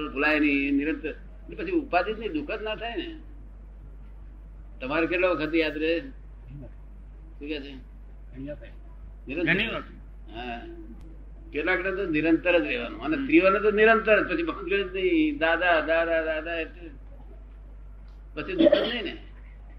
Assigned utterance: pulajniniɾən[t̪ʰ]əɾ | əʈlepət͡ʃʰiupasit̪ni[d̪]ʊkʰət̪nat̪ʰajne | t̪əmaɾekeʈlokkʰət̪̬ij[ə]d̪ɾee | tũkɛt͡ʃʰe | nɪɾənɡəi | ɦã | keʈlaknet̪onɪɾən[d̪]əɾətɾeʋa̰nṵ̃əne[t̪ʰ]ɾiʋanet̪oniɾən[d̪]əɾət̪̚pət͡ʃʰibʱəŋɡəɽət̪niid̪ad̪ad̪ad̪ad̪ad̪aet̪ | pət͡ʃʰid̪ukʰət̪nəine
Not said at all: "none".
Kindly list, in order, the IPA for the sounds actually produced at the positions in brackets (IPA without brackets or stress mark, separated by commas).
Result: t̪, d̪, a, t̪, t̪, t̪